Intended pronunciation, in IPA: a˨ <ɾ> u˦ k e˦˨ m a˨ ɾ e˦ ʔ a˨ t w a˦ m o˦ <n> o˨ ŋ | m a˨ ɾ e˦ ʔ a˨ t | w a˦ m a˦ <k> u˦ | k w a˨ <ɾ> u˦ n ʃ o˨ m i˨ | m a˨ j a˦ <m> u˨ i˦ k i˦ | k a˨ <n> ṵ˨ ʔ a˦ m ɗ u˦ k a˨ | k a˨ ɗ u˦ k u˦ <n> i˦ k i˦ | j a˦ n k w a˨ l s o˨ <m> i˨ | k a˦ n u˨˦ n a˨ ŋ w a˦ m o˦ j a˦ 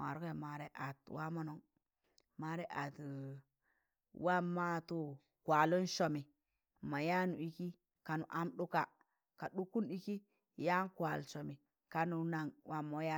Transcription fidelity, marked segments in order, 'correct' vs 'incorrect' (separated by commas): correct, correct, incorrect, incorrect, incorrect, correct, correct, correct